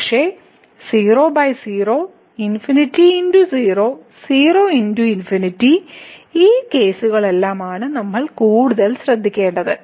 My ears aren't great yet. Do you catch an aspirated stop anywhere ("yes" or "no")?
no